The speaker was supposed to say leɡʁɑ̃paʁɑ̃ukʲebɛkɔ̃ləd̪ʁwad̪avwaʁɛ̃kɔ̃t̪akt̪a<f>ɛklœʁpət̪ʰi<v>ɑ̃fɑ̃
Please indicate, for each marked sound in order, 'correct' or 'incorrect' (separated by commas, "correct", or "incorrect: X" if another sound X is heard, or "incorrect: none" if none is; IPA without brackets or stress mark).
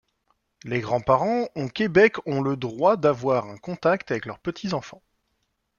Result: incorrect: v, incorrect: z